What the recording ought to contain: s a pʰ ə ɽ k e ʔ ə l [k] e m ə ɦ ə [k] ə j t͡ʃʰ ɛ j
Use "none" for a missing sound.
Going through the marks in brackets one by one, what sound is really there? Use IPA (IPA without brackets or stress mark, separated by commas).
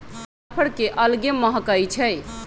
ɡ, k